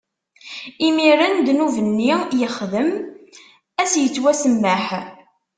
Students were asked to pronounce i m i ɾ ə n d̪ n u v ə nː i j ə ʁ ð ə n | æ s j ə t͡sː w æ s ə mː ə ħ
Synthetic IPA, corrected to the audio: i m i ɾ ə n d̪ n u v ə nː i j ə χ ð ə m | æ s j ə t͡sː w æ s ə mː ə ħ